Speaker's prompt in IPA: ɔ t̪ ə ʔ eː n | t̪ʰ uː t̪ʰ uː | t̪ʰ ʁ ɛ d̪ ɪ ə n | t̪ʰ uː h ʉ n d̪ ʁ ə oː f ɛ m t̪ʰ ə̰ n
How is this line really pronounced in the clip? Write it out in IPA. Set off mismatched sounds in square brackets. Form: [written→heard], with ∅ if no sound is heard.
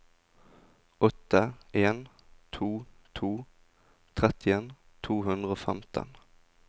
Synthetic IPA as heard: ɔ t̪ ə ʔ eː n | t̪ʰ uː t̪ʰ uː | t̪ʰ ʁ ɛ [d̪→t̪] ɪ ə n | t̪ʰ uː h ʉ n d̪ ʁ ə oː f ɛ m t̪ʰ ə̰ n